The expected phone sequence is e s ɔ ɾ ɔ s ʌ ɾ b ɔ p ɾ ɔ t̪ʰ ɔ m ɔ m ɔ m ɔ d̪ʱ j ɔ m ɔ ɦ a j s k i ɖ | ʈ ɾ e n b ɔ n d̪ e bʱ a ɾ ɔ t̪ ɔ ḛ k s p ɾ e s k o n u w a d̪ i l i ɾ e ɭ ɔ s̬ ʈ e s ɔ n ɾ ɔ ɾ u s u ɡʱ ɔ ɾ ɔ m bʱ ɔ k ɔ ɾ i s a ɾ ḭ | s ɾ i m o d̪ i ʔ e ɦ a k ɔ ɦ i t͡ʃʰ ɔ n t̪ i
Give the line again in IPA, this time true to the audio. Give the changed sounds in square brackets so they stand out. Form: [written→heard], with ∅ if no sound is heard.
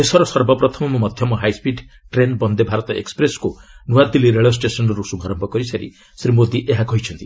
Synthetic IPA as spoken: e s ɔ ɾ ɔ s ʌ ɾ b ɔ p ɾ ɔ t̪ʰ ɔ m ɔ m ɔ m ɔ d̪ʱ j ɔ m ɔ ɦ a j s [k→p] i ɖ | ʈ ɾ e n b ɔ n d̪ e bʱ a ɾ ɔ t̪ ɔ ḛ k s p ɾ e s k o n u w a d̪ i l i ɾ e ɭ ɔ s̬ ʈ e s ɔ n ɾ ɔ ɾ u s u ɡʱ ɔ ɾ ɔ m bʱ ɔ k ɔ ɾ i s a ɾ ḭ | s ɾ i m o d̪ i ʔ e ɦ a k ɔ ɦ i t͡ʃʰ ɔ n t̪ i